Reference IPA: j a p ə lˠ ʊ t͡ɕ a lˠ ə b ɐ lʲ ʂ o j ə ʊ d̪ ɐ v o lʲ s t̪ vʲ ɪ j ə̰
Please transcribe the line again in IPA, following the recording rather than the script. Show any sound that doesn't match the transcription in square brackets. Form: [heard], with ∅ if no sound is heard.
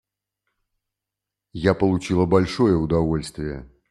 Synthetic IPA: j a p ə lˠ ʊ t͡ɕ [i] lˠ ə b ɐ lʲ ʂ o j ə ʊ d̪ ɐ v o lʲ s t̪ vʲ ɪ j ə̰